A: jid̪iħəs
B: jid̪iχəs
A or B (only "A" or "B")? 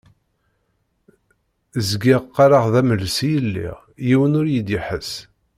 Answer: A